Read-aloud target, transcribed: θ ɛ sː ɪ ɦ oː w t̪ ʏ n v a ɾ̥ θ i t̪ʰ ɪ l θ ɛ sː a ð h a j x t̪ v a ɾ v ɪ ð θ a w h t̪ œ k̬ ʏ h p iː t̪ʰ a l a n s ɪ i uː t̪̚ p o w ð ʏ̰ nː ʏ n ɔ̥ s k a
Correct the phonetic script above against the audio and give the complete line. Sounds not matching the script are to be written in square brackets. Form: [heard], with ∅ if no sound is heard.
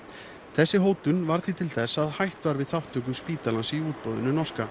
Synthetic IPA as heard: θ ɛ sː ɪ ɦ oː w t̪ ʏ n v a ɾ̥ θ i t̪ʰ ɪ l θ ɛ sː a ð h a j [h] t̪ v a ɾ v ɪ ð θ a w h t̪ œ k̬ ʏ [s] p iː [t̪] a l a n s ɪ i uː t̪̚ p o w ð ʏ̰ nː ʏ n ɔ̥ s k a